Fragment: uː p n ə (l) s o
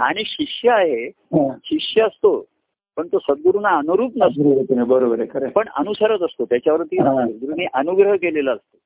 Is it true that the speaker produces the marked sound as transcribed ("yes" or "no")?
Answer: no